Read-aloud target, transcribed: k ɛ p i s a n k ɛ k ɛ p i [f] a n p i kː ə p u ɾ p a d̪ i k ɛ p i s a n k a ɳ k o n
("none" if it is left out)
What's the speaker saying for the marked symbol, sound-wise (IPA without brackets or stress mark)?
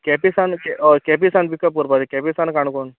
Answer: s